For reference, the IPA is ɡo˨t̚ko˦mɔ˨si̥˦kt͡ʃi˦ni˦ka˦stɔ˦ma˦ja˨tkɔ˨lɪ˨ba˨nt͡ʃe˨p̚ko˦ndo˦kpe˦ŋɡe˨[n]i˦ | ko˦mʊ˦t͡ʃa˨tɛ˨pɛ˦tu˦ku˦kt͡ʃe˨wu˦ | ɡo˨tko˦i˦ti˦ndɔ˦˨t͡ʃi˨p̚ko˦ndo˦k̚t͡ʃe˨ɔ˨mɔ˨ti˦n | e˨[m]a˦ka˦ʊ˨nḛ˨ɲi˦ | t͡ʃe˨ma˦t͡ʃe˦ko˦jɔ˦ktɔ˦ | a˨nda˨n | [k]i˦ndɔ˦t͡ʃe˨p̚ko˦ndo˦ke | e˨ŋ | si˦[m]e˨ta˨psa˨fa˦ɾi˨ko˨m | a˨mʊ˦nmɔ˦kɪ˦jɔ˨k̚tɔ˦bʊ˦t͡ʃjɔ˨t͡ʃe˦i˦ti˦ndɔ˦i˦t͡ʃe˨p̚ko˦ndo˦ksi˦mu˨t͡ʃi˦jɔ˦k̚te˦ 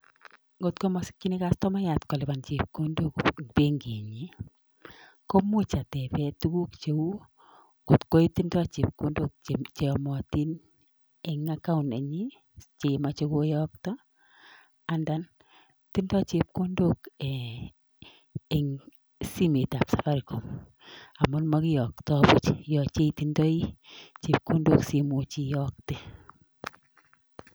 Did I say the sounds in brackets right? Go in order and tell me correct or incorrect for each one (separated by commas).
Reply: incorrect, incorrect, incorrect, correct